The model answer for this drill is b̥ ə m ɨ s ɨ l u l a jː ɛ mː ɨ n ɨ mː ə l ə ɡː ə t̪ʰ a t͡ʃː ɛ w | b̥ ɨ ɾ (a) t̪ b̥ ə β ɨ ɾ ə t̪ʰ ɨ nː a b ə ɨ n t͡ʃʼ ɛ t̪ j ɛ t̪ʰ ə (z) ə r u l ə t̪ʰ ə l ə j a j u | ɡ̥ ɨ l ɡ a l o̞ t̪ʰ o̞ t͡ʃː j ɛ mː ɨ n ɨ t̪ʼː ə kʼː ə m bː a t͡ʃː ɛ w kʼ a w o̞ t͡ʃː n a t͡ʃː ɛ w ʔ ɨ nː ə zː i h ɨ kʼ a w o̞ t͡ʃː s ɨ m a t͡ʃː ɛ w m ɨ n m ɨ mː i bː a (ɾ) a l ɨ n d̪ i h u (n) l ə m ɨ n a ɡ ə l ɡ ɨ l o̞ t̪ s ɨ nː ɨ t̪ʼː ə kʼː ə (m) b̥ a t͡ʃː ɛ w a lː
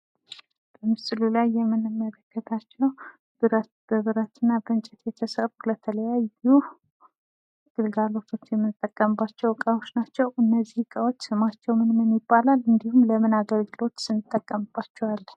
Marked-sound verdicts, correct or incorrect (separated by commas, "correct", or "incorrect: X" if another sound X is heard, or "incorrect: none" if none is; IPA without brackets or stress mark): incorrect: ə, incorrect: s, incorrect: l, incorrect: m, correct